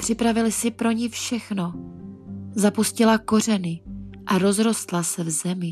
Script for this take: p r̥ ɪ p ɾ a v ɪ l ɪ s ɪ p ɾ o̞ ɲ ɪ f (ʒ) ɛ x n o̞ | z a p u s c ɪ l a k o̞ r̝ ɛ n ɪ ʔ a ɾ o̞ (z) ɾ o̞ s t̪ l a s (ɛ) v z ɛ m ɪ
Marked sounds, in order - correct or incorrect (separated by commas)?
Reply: incorrect, correct, correct